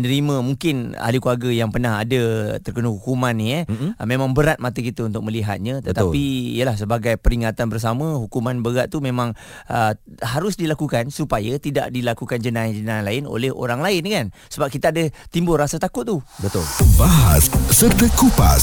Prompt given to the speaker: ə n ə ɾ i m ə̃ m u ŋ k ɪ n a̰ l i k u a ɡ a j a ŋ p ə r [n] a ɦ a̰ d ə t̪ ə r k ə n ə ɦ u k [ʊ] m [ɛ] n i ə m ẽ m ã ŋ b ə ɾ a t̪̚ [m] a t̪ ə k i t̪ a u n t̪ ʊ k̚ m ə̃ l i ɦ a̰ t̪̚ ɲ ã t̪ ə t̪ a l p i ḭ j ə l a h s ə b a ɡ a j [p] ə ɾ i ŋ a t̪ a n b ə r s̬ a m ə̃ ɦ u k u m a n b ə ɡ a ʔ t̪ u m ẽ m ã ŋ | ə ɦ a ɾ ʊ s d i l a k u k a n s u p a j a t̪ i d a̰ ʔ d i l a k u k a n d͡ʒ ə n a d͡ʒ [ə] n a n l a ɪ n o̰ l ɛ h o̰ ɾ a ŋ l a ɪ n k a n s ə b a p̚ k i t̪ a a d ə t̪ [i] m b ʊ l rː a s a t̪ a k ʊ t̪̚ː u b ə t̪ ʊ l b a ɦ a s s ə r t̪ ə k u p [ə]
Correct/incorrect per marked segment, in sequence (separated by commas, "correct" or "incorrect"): correct, incorrect, incorrect, correct, correct, correct, correct, incorrect